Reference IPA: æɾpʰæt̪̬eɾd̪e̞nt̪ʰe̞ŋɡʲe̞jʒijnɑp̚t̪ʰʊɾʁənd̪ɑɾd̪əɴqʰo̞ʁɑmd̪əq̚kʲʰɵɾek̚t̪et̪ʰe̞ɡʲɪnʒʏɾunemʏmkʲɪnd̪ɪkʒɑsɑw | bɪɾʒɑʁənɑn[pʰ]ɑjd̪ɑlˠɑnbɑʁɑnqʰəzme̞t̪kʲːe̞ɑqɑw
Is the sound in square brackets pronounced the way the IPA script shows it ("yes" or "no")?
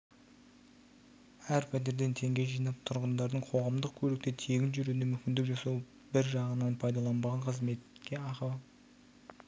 yes